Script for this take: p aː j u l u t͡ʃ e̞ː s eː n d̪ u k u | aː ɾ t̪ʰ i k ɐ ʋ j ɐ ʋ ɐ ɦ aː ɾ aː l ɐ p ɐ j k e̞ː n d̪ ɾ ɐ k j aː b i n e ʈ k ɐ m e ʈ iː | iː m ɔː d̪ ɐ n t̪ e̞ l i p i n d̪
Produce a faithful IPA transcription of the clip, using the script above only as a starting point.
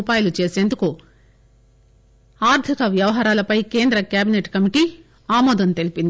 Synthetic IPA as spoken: p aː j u l u t͡ʃ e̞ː s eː n d̪ u k u | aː ɾ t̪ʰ i k ɐ ʋ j ɐ ʋ ɐ ɦ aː ɾ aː l ɐ p ɐ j k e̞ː n d̪ ɾ ɐ k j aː b i n e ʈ k ɐ m i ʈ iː | aː m ɔː d̪ ɐ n t̪ e̞ l i p i n d̪